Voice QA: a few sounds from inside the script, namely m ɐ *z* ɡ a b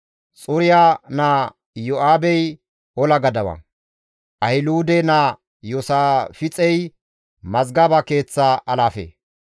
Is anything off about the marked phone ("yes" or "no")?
no